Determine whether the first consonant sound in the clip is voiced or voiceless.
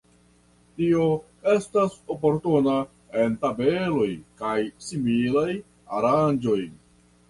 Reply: voiceless